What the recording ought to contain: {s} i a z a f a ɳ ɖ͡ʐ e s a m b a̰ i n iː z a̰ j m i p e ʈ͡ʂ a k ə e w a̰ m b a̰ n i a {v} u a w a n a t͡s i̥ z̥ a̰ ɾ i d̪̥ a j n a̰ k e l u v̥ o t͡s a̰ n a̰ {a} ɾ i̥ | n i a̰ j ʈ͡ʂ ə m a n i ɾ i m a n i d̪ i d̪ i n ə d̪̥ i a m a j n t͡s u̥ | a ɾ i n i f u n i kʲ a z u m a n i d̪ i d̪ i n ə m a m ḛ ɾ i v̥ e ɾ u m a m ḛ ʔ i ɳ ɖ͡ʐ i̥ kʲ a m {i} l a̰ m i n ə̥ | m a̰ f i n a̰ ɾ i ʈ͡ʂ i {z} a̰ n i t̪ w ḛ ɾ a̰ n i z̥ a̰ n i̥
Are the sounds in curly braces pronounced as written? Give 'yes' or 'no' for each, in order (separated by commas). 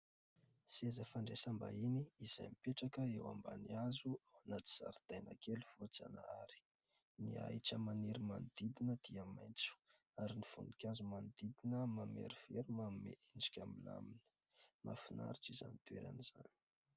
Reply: yes, no, yes, yes, yes